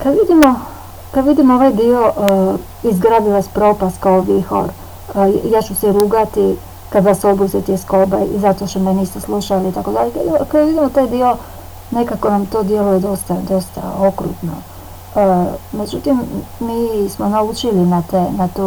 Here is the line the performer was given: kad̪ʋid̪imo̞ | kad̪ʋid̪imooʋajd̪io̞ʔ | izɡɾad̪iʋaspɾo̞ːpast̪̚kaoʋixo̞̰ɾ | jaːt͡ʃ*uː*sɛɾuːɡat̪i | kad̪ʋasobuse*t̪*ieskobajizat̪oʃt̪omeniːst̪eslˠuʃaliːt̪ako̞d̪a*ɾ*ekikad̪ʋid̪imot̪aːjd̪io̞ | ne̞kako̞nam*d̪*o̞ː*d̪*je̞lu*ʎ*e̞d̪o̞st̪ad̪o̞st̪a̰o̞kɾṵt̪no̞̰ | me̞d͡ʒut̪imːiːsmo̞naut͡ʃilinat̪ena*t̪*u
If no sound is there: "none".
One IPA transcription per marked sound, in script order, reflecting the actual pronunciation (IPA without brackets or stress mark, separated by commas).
u, t̪, ʎ, t̪, d̪, j, t̪